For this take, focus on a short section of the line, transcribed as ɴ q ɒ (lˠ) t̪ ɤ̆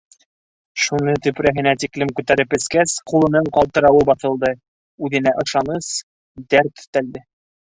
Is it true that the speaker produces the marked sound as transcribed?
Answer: yes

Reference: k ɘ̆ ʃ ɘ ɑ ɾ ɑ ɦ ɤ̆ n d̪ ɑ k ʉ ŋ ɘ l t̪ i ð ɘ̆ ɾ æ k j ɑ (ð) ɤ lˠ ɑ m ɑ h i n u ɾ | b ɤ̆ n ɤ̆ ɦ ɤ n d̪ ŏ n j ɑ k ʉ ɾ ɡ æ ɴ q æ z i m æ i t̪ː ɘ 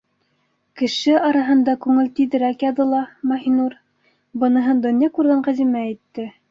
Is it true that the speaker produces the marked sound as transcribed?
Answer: yes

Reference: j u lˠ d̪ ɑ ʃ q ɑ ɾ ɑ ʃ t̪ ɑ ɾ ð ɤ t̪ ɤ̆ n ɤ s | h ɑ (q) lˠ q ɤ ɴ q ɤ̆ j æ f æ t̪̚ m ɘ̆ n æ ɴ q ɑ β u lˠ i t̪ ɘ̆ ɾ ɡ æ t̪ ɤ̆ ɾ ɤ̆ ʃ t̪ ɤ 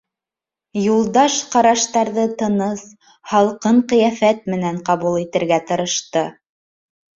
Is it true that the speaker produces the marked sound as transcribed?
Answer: no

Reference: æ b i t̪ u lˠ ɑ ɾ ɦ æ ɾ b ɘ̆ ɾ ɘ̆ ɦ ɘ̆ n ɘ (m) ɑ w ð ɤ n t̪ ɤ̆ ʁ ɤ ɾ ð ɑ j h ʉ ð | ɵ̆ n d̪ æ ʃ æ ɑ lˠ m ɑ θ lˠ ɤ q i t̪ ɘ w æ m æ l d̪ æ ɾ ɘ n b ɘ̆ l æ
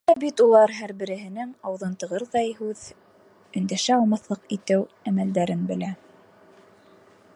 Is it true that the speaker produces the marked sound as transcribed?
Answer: no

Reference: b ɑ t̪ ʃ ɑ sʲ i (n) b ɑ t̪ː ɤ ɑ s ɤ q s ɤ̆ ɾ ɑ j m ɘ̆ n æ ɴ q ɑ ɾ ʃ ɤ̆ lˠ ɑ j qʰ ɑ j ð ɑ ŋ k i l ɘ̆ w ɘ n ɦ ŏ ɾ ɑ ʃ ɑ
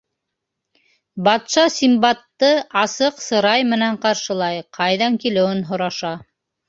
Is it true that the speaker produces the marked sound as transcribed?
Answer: no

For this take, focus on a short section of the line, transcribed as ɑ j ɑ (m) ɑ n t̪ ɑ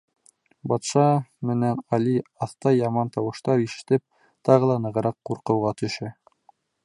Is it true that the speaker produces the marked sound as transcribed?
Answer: yes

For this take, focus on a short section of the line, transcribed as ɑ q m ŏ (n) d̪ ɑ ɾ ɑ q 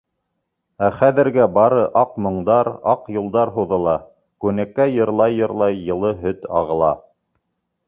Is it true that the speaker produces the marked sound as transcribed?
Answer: no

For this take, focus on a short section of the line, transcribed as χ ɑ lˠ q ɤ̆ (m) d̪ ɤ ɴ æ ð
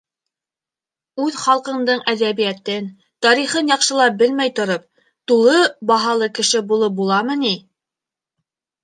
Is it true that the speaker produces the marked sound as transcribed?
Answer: no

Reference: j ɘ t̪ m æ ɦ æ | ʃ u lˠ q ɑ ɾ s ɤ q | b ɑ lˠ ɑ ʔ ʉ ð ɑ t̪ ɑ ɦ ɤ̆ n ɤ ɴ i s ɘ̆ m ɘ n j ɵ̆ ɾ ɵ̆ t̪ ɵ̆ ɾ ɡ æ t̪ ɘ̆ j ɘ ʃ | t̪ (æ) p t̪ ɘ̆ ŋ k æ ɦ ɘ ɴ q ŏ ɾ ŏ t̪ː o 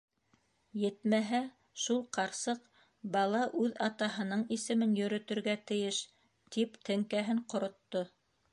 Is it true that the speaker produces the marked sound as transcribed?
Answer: no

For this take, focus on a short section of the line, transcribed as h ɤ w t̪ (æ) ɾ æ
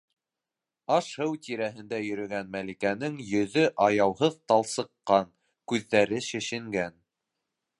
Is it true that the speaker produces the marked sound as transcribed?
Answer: no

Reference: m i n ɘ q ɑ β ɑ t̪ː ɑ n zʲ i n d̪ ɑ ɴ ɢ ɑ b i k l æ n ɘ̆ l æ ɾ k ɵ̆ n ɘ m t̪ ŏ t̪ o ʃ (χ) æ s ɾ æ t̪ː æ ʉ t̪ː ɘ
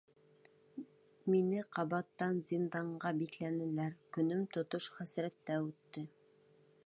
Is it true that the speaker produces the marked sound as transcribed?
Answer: yes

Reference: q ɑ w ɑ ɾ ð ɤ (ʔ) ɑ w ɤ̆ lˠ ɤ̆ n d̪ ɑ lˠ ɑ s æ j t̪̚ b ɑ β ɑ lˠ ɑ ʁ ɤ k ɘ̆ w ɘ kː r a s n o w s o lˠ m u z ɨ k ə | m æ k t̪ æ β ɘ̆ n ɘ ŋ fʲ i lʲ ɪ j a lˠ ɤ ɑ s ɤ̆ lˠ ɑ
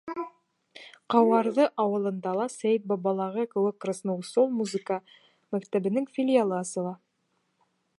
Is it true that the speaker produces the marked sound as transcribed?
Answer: yes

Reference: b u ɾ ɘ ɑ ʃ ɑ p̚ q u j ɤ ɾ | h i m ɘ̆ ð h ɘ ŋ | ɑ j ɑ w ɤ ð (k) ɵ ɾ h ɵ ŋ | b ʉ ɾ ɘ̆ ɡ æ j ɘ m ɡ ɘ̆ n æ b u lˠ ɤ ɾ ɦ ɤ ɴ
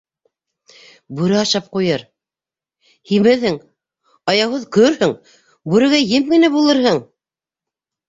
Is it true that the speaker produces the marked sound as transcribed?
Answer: yes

